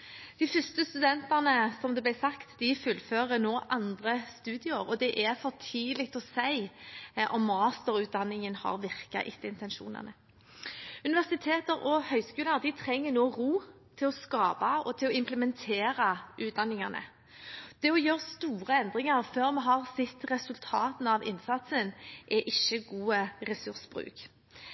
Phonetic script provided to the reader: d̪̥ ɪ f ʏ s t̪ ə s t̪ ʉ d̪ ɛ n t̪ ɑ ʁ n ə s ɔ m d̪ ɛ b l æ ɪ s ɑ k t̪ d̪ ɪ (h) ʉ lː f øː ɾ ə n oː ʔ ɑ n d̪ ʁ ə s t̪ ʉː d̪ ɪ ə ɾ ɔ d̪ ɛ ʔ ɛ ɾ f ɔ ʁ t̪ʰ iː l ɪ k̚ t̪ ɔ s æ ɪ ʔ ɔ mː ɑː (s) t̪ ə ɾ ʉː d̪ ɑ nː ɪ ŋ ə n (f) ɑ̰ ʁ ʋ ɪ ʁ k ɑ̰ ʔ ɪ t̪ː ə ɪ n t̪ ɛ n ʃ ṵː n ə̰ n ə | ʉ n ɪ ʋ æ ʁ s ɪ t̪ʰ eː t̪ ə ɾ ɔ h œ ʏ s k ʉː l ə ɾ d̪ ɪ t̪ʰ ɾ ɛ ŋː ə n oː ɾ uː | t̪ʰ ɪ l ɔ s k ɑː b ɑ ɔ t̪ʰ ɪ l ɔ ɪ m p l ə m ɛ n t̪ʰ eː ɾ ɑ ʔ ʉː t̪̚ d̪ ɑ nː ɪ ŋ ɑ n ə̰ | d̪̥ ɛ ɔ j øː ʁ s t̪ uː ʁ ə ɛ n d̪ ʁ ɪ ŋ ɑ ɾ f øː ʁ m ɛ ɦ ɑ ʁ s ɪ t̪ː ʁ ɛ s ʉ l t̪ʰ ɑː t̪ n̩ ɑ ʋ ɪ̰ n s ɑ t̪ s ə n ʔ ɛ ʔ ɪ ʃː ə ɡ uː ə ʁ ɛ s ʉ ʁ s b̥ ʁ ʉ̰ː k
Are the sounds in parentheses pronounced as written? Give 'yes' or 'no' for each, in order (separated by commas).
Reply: no, yes, no